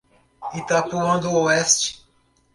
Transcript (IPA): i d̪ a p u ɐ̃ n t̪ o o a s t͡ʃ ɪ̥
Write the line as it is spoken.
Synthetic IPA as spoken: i t̪ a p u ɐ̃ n d̪ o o ɛ s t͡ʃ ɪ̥